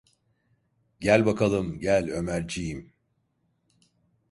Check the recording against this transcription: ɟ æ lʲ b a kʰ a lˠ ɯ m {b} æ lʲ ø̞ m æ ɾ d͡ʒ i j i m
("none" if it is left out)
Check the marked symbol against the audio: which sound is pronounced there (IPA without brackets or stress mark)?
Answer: ɟ